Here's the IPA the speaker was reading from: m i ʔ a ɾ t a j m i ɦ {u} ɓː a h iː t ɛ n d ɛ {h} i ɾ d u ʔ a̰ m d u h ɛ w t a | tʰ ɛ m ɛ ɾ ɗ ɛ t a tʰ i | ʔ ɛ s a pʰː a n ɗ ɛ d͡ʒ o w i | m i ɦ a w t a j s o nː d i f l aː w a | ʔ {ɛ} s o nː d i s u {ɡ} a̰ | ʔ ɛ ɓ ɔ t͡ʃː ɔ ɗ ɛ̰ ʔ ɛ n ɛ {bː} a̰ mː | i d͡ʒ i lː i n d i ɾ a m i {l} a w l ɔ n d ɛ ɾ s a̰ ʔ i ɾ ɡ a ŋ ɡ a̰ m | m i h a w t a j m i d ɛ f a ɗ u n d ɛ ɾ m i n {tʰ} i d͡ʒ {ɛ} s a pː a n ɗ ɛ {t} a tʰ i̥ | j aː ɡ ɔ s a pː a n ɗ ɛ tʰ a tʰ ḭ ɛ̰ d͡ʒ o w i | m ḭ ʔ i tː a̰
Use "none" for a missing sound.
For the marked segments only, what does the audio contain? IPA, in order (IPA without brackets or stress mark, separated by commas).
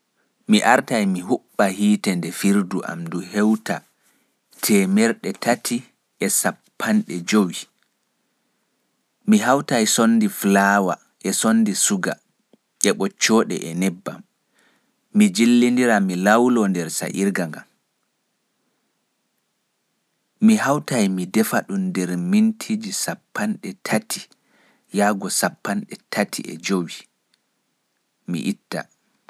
u, f, ɛ, ɡ, bː, l, tʰ, i, tʰ